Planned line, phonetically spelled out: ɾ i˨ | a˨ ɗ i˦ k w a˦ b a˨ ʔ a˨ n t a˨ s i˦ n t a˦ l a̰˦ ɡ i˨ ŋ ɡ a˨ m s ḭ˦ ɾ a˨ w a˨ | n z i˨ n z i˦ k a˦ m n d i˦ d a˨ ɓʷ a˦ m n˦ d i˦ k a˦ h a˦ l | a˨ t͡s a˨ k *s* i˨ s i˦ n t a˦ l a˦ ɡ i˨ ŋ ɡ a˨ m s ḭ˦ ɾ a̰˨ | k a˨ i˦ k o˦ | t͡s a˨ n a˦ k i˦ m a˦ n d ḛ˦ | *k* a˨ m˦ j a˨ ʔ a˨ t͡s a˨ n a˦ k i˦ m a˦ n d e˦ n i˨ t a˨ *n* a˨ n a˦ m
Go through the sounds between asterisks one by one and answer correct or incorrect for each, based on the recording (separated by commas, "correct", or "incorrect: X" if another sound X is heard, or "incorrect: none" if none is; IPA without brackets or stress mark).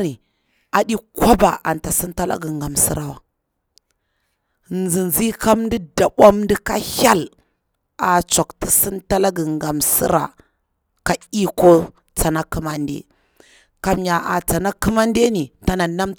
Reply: incorrect: t, correct, correct